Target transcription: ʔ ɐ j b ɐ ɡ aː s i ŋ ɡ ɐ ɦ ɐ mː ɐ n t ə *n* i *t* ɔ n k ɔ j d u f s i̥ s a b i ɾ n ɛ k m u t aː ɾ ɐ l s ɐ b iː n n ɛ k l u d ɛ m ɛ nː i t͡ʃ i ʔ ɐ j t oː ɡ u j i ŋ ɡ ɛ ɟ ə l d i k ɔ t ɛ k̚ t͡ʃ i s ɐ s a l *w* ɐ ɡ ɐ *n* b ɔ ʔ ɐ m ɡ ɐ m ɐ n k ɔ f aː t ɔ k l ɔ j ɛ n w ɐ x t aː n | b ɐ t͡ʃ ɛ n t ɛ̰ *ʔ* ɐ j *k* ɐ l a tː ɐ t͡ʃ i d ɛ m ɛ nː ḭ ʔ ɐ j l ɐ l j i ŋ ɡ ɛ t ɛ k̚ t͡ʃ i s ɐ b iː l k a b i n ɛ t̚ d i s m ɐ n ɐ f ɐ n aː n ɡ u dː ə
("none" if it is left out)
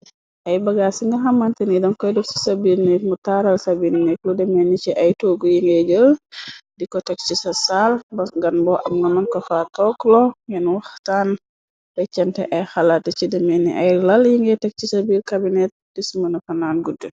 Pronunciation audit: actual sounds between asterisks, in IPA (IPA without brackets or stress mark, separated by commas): n, d, b, n, ʔ, x